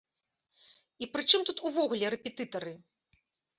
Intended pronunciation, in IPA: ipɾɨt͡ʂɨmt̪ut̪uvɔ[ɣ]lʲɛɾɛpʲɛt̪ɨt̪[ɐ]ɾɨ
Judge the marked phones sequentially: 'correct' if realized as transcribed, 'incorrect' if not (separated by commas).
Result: correct, correct